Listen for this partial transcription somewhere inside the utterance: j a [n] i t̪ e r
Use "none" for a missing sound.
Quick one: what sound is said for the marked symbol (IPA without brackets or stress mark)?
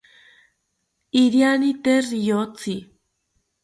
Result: n